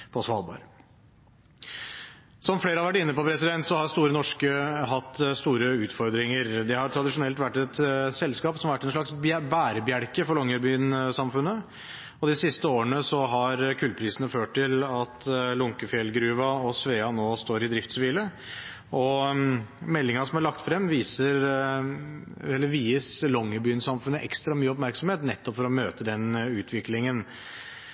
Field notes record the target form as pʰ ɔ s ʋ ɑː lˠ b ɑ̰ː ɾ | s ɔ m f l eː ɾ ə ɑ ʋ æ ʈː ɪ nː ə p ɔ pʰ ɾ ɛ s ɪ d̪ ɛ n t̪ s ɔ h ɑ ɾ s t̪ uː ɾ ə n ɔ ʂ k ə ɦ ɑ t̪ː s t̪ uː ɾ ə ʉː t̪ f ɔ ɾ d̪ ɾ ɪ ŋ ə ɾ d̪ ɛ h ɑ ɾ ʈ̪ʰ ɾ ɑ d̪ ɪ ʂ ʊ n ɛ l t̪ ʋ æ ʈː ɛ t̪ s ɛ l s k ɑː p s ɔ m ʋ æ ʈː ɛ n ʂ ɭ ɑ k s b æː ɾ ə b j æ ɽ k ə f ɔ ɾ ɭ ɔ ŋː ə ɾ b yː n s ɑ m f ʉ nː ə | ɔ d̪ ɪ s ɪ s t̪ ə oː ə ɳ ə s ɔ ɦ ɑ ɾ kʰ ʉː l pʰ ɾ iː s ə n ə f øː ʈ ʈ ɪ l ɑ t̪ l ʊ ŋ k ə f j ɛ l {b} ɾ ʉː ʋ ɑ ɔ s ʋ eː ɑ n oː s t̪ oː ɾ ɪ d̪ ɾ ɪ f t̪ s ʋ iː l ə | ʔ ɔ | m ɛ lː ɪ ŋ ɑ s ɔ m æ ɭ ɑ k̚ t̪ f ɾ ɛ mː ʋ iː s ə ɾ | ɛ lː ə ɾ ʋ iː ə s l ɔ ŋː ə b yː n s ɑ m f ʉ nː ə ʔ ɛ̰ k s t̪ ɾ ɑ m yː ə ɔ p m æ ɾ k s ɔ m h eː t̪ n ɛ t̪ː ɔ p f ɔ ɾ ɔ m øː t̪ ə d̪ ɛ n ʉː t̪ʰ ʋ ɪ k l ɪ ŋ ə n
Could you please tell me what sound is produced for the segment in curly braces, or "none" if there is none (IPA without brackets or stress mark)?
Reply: ɡ